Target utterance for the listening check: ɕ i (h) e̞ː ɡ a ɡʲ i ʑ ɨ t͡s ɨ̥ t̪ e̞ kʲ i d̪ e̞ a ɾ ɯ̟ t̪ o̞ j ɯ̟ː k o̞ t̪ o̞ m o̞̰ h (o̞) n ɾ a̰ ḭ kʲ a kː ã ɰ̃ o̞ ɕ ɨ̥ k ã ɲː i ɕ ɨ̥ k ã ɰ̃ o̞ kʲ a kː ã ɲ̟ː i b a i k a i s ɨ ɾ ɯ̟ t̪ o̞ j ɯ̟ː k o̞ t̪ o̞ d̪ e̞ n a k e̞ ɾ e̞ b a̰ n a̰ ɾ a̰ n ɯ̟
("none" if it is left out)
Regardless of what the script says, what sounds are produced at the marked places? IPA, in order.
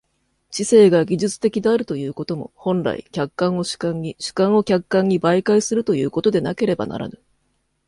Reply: s, õ̞

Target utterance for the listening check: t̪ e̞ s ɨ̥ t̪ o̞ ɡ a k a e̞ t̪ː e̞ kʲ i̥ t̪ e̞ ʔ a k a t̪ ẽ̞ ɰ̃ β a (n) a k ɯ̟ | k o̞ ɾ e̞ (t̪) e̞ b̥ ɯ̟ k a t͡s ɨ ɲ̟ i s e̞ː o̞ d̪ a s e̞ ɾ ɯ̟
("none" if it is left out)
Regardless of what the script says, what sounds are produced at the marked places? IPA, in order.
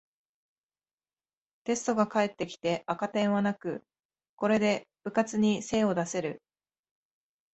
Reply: n, d̪

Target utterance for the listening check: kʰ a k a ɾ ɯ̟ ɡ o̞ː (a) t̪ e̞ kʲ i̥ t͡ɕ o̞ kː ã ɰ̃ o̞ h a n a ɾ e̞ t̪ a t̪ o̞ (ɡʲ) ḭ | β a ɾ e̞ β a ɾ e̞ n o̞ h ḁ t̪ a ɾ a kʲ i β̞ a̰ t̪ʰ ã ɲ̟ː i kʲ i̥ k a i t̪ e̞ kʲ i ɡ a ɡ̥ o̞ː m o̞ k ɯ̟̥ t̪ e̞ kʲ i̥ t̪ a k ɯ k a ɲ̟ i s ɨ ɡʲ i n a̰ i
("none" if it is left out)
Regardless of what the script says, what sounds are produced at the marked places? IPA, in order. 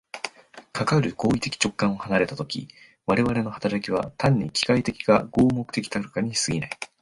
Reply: i, kʲ

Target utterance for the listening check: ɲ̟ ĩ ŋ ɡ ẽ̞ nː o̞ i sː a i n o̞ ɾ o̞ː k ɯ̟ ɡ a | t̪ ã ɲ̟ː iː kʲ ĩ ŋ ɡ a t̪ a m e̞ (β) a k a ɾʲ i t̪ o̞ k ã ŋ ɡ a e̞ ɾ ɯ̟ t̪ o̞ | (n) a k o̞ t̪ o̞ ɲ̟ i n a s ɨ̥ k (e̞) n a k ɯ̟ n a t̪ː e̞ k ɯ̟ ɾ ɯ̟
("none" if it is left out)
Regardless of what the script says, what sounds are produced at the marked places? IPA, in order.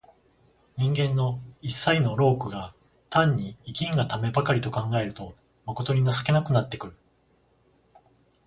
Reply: b, m, e̞

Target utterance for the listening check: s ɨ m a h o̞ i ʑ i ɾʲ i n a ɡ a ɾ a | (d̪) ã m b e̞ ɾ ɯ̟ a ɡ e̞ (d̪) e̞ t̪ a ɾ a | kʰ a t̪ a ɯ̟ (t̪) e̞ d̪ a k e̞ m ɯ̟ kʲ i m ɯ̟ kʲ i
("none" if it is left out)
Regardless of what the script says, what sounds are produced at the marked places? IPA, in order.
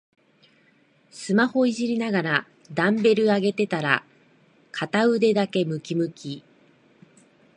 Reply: d̪, t̪, d̪

